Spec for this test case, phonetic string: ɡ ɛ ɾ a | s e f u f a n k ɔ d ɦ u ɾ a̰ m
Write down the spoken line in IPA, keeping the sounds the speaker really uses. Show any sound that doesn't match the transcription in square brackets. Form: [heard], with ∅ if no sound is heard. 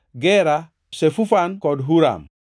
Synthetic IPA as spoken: ɡ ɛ ɾ a | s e f u f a n k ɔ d ɦ u ɾ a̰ m